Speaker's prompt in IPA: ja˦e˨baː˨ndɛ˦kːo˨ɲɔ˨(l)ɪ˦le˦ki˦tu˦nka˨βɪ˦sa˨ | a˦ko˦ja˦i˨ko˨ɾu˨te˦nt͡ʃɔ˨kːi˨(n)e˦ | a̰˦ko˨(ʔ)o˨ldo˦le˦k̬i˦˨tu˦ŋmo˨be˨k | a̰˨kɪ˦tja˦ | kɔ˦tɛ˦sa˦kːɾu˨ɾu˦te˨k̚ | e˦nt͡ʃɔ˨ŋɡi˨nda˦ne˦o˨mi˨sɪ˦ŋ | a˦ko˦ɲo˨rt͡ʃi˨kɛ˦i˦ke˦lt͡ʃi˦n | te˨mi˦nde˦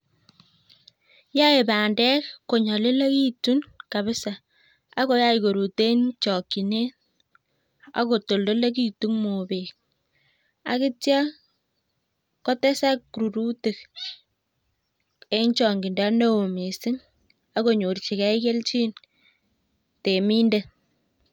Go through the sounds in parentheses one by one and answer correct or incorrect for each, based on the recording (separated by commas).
correct, correct, incorrect